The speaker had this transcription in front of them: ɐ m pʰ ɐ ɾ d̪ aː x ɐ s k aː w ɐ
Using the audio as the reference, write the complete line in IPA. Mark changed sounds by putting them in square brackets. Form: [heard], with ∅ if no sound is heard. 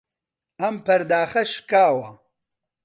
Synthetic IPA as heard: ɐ m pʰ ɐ ɾ d̪ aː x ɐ [ʃ] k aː w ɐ